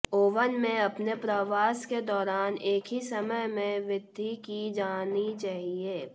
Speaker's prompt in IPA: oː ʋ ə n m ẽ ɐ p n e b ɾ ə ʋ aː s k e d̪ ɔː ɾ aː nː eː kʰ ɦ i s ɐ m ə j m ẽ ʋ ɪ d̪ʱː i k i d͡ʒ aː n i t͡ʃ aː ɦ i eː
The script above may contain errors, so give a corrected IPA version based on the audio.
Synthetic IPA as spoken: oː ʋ ə n m ẽ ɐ p n e p ɾ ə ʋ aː s k e d̪ ɔː ɾ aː n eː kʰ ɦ i s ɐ m ə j m ẽ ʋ ɪ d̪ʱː i k i d͡ʒ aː n i t͡ʃ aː ɦ i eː